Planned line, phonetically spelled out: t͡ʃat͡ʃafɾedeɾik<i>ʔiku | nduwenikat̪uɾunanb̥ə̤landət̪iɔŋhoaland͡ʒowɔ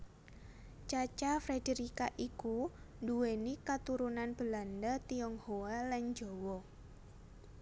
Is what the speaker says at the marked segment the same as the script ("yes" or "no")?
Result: no